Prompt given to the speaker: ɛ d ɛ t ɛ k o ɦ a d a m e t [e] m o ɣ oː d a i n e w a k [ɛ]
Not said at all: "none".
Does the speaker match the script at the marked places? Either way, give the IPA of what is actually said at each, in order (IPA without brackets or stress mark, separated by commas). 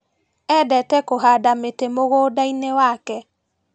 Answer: e, ɛ